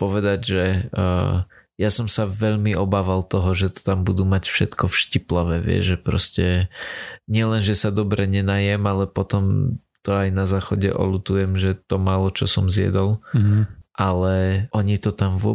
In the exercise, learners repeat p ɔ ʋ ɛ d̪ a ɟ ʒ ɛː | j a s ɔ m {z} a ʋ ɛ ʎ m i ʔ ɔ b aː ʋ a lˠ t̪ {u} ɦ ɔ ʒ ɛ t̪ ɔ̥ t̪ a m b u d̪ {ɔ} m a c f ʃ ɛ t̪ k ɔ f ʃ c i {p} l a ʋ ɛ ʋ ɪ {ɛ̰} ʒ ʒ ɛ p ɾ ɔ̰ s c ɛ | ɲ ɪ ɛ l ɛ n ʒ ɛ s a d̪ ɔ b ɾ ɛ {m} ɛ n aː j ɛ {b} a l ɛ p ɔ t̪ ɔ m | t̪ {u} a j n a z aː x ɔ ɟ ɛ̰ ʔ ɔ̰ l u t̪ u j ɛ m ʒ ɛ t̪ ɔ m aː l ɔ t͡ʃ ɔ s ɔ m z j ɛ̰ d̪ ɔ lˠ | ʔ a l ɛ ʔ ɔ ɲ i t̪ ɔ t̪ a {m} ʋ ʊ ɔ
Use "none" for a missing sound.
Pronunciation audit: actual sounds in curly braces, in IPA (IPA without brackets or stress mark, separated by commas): s, ɔ, u, p, ɛ̰, ɲ, m, ɔ, m